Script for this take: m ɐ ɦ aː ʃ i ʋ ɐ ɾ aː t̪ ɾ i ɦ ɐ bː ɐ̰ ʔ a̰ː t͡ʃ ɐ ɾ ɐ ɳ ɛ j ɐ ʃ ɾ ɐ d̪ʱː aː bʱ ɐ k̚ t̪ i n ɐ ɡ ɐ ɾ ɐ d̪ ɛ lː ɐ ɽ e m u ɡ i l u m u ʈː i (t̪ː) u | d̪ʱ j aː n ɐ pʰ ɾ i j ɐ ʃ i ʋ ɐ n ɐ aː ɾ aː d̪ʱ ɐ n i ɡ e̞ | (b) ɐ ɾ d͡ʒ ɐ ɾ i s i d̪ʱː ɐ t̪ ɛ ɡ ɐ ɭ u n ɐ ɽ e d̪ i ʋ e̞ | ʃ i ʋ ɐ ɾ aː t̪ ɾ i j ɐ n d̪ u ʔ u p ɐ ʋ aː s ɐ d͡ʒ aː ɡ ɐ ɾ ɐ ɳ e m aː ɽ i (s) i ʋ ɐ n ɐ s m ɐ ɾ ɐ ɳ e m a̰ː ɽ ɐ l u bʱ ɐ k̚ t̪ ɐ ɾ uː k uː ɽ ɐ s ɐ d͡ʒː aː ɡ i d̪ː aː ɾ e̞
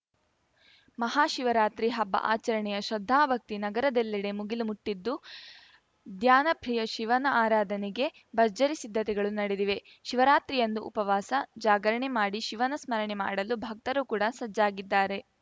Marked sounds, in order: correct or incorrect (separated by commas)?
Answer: incorrect, correct, incorrect